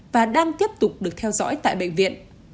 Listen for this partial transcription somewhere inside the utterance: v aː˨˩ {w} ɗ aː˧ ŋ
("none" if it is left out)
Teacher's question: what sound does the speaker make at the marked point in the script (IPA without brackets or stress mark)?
none